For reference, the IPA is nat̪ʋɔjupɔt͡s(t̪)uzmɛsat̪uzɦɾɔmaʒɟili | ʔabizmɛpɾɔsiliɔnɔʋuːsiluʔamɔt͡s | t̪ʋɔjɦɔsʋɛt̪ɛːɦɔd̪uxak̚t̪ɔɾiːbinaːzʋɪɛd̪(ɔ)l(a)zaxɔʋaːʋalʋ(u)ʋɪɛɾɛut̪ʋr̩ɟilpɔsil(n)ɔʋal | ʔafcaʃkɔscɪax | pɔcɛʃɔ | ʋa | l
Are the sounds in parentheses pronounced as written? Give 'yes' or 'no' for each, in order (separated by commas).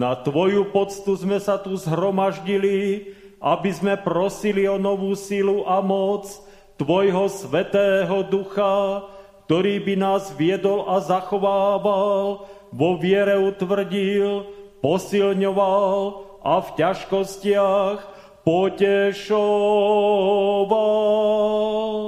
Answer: yes, yes, yes, no, no